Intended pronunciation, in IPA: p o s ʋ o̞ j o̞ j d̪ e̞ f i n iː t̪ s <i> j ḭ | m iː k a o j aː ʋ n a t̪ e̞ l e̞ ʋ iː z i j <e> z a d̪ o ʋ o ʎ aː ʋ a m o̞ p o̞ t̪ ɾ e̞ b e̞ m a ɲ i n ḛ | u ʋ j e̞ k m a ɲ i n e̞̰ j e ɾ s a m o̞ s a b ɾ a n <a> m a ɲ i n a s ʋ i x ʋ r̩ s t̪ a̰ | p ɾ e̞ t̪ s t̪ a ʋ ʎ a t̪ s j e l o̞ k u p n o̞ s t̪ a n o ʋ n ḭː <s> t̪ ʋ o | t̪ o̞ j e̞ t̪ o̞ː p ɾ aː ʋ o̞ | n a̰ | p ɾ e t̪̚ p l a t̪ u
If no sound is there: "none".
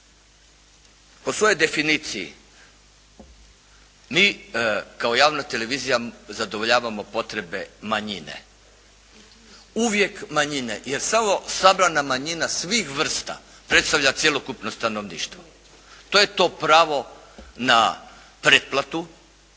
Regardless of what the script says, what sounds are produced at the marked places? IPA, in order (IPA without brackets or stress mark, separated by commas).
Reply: i, a, a, ʃ